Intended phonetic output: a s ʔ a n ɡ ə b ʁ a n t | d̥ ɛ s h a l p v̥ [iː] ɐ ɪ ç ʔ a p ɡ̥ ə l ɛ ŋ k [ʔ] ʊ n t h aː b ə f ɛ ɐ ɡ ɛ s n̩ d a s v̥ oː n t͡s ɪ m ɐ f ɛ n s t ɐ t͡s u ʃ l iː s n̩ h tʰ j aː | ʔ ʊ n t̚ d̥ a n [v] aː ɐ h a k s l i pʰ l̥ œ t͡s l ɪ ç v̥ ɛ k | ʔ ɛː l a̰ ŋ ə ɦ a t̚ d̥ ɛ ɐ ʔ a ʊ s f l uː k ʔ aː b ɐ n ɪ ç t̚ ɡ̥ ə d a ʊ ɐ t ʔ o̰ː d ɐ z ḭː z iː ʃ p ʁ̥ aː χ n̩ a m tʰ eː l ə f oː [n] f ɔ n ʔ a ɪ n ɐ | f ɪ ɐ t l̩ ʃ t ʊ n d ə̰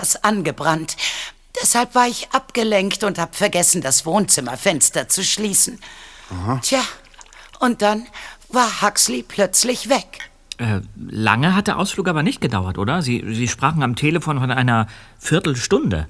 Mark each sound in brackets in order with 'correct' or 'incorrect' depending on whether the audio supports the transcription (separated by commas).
incorrect, incorrect, correct, correct